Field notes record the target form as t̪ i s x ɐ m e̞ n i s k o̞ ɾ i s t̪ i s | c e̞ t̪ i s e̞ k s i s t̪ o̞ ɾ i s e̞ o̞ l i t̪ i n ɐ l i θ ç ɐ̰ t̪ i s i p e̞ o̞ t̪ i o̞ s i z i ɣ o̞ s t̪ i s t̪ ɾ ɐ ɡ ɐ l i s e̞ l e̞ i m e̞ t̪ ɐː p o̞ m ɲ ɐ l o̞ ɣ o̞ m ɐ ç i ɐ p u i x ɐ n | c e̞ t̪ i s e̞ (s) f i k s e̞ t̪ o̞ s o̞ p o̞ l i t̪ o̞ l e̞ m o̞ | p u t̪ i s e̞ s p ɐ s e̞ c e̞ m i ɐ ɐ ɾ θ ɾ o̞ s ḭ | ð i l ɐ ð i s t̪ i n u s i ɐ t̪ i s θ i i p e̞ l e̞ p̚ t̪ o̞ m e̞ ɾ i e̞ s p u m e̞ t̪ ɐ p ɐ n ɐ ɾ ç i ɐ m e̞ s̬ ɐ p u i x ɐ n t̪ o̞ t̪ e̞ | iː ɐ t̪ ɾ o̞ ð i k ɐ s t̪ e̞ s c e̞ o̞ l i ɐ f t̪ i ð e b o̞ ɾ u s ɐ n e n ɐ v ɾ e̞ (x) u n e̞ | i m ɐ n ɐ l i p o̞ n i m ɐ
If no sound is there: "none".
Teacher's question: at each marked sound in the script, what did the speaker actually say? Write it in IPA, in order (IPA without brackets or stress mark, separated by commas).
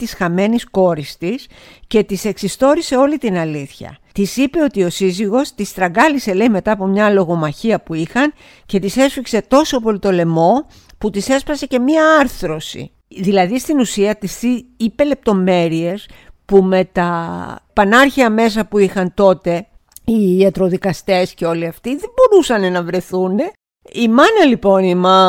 s, θ